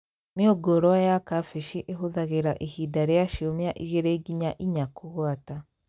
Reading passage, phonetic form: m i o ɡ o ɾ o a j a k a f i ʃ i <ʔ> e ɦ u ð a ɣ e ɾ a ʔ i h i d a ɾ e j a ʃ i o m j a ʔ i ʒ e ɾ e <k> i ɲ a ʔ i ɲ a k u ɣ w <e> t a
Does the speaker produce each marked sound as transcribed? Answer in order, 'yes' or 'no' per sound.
yes, no, no

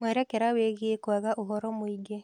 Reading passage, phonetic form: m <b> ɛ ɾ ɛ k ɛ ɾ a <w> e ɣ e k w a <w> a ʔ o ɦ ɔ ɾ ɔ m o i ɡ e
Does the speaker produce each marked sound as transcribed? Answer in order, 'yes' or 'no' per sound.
no, yes, no

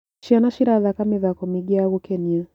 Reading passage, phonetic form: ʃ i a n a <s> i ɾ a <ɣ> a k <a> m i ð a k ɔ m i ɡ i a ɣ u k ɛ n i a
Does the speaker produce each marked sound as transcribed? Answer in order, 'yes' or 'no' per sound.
no, no, yes

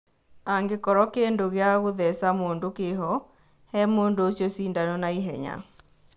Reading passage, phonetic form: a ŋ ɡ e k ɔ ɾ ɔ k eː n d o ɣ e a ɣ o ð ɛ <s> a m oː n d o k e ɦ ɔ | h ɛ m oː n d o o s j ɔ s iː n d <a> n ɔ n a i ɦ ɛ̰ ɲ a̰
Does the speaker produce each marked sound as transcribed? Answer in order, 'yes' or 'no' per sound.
yes, yes

